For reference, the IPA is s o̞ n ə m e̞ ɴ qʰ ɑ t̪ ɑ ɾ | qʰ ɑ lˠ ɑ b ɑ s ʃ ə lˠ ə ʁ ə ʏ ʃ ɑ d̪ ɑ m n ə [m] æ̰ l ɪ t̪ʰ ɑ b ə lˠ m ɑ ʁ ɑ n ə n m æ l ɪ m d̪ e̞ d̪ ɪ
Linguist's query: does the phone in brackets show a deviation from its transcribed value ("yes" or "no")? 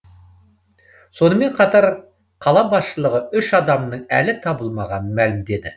yes